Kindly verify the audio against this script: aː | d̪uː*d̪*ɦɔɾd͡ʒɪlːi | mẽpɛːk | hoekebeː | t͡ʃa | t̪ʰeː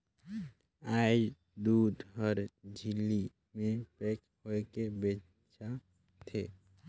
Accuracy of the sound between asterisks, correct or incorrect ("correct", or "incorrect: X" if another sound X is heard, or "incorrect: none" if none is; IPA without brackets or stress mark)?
correct